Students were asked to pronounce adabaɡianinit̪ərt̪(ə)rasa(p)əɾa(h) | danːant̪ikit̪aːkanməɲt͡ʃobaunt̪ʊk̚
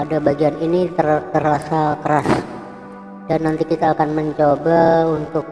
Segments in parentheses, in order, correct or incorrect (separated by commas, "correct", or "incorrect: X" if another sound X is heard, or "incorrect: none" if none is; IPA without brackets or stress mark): correct, incorrect: k, incorrect: s